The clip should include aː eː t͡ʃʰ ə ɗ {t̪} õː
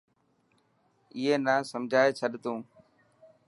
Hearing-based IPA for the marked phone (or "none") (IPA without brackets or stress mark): t̪